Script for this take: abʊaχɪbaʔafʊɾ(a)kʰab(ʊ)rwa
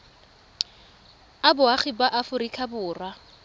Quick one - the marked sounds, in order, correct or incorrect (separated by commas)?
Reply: incorrect, incorrect